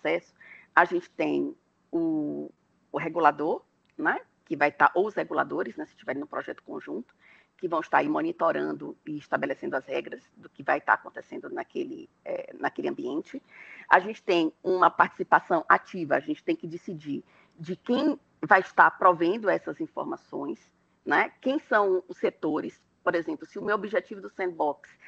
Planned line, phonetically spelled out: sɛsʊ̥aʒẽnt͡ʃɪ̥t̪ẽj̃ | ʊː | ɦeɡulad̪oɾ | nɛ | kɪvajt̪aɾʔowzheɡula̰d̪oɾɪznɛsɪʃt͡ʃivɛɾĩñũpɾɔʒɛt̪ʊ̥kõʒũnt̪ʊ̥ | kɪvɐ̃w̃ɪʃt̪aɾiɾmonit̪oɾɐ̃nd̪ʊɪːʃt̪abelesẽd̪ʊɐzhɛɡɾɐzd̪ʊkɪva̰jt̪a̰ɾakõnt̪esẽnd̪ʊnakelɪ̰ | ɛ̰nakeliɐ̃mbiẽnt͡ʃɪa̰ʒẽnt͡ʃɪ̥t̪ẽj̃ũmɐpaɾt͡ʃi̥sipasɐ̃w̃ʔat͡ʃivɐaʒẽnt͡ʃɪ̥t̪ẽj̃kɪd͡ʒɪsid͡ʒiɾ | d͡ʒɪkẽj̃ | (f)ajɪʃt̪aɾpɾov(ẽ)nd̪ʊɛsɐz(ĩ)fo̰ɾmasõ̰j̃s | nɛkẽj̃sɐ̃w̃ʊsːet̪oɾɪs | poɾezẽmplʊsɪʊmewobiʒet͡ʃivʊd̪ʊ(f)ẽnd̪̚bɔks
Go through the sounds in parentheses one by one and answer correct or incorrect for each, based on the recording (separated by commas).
incorrect, correct, correct, incorrect